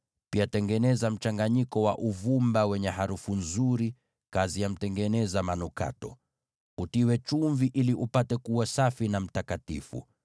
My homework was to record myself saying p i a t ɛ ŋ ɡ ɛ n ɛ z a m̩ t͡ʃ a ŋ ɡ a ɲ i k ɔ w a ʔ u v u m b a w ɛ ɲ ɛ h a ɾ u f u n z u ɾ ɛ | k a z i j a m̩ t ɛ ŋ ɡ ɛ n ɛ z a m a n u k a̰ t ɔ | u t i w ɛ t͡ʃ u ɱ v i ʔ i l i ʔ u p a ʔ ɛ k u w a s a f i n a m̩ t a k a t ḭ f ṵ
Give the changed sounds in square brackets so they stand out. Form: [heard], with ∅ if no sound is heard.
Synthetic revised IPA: p i a t ɛ ŋ ɡ ɛ n ɛ z a m̩ t͡ʃ a ŋ ɡ a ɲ i k ɔ w a ʔ u v u m b a w ɛ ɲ ɛ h a ɾ u f u n z u ɾ [i] | k a z i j a m̩ t ɛ ŋ ɡ ɛ n ɛ z a m a n u k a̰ t ɔ | u t i w ɛ t͡ʃ u ɱ v i ʔ i l i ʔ u p a [t] ɛ k u w a s a f i n a m̩ t a k a t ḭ f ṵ